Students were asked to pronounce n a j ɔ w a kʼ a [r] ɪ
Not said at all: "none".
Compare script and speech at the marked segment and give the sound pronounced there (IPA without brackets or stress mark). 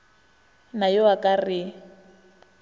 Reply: r